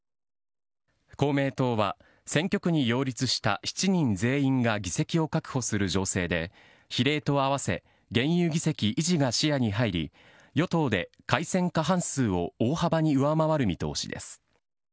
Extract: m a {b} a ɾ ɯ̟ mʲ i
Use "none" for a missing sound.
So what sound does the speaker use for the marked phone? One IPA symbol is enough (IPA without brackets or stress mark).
β